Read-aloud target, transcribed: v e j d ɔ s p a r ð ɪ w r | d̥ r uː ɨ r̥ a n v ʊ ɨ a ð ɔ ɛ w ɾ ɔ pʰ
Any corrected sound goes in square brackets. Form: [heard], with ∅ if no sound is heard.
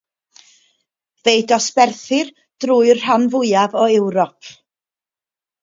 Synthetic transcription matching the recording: v e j d ɔ s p [ɛ] r [θ] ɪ [∅] r | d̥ r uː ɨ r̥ a n v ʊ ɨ a [v] ɔ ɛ w ɾ ɔ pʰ